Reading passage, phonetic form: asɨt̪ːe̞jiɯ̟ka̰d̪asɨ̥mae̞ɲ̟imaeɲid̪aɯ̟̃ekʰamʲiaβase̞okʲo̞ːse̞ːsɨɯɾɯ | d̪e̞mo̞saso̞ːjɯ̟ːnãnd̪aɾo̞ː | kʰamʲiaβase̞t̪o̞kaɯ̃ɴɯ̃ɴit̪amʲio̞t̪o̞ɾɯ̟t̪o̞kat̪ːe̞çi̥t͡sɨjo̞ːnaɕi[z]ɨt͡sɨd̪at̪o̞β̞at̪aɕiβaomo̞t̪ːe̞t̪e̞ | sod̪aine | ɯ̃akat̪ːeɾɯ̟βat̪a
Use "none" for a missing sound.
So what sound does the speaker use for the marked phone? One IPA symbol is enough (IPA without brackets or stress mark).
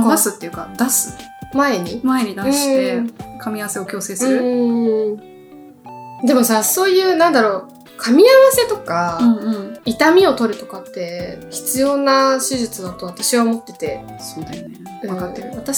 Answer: ʑ